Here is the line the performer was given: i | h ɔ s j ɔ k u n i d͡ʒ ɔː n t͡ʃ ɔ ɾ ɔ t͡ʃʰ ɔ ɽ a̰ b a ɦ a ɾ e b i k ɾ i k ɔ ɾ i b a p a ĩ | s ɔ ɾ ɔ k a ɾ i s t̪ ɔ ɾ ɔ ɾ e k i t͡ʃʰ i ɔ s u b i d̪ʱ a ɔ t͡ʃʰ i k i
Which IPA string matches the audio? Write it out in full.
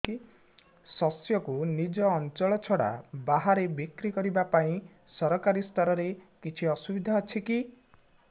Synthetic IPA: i | s ɔ s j ɔ k u n i d͡ʒ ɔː n t͡ʃ ɔ ɭ ɔ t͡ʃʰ ɔ ɽ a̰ b a ɦ a ɾ e b i k ɾ i k ɔ ɾ i b a p a ĩ | s ɔ ɾ ɔ k a ɾ i s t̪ ɔ ɾ ɔ ɾ e k i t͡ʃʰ i ɔ s u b i d̪ʱ a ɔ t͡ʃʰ i k i